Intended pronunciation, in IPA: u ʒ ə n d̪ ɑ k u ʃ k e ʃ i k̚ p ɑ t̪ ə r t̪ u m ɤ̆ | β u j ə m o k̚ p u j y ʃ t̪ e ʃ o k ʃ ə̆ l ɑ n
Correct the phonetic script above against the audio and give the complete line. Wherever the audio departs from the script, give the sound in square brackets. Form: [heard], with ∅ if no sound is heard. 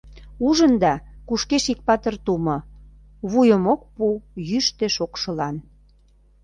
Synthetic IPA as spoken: u ʒ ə n d̪ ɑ k u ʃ k e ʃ i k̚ p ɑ t̪ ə r t̪ u m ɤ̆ | β u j ə m o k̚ p u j y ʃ t̪ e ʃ o k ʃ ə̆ l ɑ n